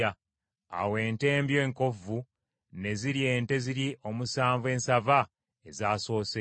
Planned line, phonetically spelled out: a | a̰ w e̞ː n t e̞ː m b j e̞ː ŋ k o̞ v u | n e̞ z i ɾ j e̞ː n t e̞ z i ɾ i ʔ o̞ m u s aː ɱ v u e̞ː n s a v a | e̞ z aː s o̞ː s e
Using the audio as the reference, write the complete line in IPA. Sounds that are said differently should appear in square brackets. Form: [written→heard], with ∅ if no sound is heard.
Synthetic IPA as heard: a | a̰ w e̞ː n t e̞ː m b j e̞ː ŋ k o̞ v u | n e̞ z i ɾ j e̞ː n t e̞ z i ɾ i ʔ o̞ m u s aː ɱ v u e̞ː n s a v a | e̞ z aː s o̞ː s e